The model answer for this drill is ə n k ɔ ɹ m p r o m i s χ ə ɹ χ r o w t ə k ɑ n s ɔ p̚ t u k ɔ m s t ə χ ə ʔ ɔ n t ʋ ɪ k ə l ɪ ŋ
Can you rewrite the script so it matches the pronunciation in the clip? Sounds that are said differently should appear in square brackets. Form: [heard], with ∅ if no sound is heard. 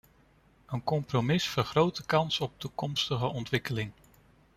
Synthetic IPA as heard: ə n k ɔ [∅] m p r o m [ɪ] s [f] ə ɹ χ r o w t ə k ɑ n s ɔ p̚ t u k ɔ m s t ə χ ə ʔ ɔ n t ʋ ɪ k ə l ɪ ŋ